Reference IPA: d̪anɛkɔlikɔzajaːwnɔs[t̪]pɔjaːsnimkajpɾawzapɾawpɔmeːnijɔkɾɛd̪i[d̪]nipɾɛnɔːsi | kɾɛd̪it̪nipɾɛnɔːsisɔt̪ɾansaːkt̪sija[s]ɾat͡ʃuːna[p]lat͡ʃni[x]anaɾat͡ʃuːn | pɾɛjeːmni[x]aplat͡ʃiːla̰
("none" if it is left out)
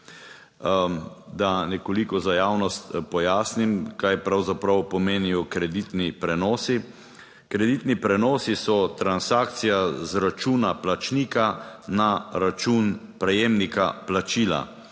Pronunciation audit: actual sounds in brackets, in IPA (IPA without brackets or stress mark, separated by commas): t̪, t̪, z, p, k, k